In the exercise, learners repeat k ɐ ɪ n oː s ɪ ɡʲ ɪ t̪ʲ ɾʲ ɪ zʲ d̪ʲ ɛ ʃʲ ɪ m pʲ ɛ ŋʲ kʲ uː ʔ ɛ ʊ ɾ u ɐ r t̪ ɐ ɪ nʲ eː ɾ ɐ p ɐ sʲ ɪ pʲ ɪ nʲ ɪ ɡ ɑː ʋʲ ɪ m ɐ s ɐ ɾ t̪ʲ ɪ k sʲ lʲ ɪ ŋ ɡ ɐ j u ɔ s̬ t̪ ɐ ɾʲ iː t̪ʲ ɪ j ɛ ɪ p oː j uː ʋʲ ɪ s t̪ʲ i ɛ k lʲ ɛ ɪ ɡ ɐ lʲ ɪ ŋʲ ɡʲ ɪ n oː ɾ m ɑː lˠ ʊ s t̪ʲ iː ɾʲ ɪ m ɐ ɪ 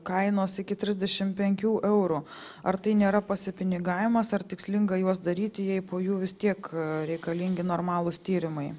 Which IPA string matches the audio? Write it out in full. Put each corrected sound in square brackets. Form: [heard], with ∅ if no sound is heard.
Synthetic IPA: k ɐ ɪ n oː s ɪ [kʲ] ɪ t̪ʲ ɾʲ ɪ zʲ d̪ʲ ɛ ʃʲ ɪ m pʲ ɛ ŋʲ kʲ uː ʔ ɛ ʊ ɾ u ɐ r t̪ ɐ ɪ nʲ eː ɾ ɐ p ɐ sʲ ɪ pʲ ɪ nʲ ɪ ɡ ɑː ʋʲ ɪ m ɐ s ɐ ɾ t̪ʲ ɪ k sʲ lʲ ɪ ŋ ɡ ɐ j u ɔ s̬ [d̪] ɐ ɾʲ iː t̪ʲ ɪ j ɛ ɪ p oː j uː ʋʲ ɪ s t̪ʲ i ɛ k [ɾʲ] ɛ ɪ [k] ɐ lʲ ɪ ŋʲ ɡʲ ɪ n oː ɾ m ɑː lˠ ʊ s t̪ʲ iː ɾʲ ɪ m ɐ ɪ